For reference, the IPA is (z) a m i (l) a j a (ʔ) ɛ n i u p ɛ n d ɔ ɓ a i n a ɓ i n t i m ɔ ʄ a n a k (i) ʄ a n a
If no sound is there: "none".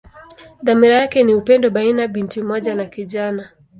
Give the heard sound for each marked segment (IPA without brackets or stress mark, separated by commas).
ð, ɾ, k, i